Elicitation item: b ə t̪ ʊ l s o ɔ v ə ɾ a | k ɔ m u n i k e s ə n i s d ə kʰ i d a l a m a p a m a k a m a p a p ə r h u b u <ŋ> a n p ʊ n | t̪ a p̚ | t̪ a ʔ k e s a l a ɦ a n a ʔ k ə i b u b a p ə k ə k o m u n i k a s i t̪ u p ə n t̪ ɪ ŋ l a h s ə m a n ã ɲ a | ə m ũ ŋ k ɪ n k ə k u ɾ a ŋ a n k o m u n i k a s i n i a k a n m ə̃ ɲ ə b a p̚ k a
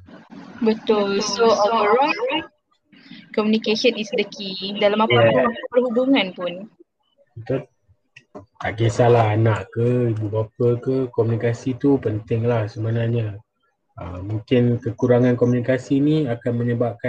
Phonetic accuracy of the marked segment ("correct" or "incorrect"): correct